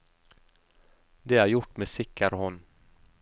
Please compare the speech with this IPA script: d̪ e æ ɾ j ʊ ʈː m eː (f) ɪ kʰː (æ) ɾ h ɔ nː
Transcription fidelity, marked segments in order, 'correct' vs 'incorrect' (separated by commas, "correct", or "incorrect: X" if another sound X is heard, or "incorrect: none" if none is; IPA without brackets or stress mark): incorrect: s, incorrect: a